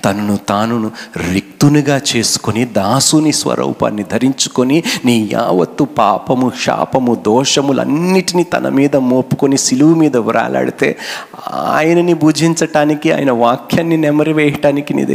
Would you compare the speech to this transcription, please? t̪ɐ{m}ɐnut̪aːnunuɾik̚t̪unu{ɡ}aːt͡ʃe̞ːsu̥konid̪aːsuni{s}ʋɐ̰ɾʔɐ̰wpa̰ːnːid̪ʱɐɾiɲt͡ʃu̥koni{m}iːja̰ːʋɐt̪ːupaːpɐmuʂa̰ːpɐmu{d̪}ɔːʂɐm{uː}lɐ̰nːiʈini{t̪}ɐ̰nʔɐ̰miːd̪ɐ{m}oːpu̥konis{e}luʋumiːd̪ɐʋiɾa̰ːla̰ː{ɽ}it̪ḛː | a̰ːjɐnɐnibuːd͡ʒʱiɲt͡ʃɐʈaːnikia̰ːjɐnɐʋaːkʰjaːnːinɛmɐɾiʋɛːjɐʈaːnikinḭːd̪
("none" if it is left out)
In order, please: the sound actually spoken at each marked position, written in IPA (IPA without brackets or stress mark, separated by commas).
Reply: n, ɡ, s, n, d̪, u, t̪, m, i, ɽ